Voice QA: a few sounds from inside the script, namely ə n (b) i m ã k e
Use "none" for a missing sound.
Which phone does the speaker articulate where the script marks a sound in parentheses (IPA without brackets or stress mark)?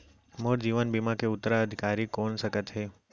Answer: b